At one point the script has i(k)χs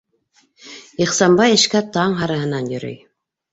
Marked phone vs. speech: incorrect: none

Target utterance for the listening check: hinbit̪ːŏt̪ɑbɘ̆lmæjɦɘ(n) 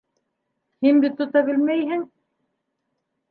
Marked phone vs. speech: incorrect: ŋ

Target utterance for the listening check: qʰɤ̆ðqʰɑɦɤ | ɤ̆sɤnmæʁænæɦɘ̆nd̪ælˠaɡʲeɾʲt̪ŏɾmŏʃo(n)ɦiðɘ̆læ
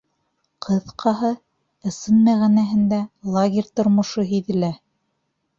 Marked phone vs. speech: incorrect: none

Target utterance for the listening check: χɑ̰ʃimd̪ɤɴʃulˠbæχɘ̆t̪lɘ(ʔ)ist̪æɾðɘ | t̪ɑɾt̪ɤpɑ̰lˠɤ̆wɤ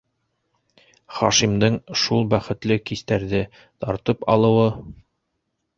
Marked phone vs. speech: incorrect: k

